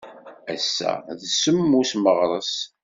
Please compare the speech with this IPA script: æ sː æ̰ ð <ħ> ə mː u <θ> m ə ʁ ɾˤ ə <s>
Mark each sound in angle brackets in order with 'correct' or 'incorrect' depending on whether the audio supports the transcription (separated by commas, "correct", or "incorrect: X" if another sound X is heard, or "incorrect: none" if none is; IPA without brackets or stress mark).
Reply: incorrect: s, incorrect: s, correct